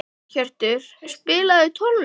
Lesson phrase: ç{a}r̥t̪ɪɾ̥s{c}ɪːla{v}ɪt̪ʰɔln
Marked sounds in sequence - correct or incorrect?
incorrect: ɛ, incorrect: p, incorrect: ð

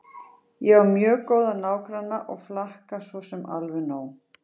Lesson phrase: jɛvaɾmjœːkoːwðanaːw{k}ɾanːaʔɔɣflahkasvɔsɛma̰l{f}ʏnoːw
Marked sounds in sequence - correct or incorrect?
correct, incorrect: v

